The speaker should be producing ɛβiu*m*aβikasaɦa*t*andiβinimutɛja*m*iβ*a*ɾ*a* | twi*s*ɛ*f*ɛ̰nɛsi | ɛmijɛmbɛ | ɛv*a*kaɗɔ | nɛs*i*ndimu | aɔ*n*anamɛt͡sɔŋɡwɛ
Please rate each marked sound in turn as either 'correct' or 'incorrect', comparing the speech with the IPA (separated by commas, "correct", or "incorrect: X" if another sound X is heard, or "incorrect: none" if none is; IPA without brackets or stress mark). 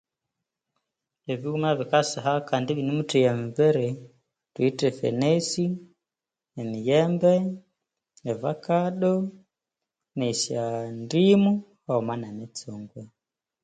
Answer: correct, incorrect: k, correct, incorrect: ɛ, incorrect: ɛ, incorrect: t, correct, correct, incorrect: a, incorrect: m